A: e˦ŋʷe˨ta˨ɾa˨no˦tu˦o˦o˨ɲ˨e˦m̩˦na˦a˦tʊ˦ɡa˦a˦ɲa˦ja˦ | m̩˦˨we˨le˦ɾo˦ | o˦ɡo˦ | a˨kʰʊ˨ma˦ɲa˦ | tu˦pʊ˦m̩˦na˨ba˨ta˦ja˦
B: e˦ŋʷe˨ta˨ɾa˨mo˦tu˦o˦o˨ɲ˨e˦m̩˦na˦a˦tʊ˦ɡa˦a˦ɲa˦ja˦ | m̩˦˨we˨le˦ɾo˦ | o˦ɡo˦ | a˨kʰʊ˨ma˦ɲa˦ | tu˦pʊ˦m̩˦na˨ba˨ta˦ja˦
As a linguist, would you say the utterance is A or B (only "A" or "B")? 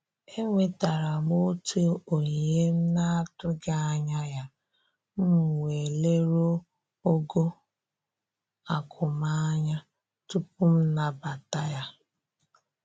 B